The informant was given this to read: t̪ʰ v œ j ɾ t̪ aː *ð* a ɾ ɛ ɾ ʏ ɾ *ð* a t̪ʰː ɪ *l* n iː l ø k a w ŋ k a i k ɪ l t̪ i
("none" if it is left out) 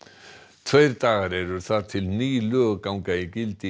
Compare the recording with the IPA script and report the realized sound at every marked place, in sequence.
ɣ, θ, l

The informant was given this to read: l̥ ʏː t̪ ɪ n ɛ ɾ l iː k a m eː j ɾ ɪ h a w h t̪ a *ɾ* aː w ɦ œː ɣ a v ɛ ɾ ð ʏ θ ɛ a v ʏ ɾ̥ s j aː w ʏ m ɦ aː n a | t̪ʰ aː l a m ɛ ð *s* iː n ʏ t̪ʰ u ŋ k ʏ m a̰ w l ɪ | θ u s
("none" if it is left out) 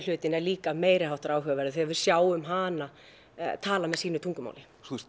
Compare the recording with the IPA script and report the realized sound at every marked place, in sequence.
ɾ, s

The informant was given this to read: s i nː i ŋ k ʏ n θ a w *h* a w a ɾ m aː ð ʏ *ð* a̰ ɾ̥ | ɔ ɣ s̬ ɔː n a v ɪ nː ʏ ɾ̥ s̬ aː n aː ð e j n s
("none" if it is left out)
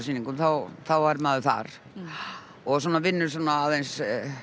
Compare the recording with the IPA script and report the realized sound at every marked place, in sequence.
θ, θ

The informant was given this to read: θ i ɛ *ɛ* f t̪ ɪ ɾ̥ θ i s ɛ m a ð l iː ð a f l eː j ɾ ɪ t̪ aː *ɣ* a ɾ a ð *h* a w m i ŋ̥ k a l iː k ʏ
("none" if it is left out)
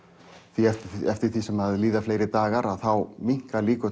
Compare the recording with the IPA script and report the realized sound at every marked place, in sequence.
ɛ, ɣ, θ

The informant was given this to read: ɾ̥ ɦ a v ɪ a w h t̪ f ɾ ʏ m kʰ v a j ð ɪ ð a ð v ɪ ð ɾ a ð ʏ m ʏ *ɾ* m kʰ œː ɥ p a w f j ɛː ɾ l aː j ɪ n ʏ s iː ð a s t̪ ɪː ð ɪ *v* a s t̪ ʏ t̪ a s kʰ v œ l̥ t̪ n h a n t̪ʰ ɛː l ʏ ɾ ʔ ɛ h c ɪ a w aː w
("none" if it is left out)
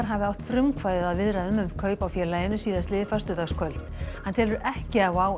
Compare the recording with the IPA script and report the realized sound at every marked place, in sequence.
none, f

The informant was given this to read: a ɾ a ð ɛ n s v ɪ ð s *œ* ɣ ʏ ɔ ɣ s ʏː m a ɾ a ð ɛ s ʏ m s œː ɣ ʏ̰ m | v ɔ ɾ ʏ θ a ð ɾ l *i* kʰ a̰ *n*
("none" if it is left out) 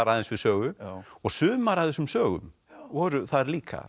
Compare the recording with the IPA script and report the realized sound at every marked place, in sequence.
œː, iː, none

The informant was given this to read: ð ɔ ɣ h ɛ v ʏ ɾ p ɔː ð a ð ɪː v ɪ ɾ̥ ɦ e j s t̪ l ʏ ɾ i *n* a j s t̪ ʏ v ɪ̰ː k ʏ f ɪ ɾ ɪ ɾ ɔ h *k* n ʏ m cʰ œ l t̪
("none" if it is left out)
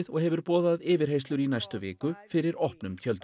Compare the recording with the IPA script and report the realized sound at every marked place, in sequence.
n, p

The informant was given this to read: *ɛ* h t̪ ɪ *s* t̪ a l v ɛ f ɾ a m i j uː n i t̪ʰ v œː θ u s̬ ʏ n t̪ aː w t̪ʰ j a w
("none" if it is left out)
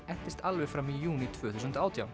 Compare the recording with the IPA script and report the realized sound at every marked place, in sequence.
ɛ, s

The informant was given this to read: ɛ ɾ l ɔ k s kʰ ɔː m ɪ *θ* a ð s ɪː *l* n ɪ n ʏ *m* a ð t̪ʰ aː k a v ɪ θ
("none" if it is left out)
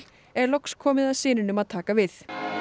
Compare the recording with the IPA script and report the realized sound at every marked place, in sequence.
ð, none, m

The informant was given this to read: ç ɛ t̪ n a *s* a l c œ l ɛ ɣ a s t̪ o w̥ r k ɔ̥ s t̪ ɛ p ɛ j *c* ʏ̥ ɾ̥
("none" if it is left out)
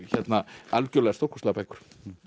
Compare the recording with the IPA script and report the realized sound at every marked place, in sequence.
none, k

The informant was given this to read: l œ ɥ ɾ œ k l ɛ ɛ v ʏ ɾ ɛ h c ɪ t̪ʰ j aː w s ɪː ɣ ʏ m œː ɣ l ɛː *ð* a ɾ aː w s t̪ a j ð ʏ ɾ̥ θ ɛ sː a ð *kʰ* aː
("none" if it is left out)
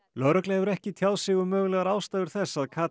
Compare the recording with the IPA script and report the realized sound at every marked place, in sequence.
ɣ, kʰ

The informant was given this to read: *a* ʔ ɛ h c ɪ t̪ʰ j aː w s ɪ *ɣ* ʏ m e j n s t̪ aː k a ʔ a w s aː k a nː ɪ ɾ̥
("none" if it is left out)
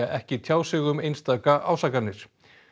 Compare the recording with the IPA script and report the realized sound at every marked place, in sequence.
a, ɣ

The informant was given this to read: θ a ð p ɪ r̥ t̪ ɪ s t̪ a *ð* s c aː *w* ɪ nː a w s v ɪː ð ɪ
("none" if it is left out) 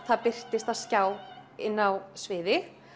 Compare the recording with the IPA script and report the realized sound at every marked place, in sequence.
ð, w

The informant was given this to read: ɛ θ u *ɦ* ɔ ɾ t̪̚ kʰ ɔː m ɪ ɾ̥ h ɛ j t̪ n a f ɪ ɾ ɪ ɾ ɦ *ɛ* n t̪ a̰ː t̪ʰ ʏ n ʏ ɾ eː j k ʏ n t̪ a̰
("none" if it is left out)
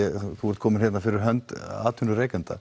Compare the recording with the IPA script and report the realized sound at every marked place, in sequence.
none, œ

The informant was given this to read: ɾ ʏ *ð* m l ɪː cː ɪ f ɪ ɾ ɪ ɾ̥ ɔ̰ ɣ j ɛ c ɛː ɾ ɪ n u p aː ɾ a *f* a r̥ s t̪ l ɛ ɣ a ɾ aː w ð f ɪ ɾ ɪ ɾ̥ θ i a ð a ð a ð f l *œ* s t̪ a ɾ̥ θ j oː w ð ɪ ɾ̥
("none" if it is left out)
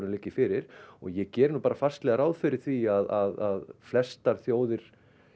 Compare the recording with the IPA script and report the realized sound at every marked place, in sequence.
none, f, ɛ

